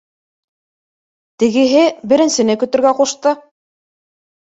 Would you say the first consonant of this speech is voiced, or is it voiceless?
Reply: voiceless